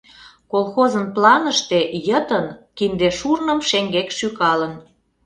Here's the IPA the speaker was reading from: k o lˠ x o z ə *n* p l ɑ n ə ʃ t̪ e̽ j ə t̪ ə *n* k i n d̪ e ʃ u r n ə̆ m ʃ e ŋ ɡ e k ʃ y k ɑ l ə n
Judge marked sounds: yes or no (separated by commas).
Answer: yes, yes